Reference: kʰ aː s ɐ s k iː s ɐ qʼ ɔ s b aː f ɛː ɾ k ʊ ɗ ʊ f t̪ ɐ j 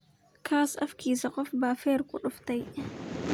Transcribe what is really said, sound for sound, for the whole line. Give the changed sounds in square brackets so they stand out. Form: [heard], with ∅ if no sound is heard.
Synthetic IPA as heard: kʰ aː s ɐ [f] k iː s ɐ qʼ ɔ [f] b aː f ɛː ɾ k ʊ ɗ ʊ f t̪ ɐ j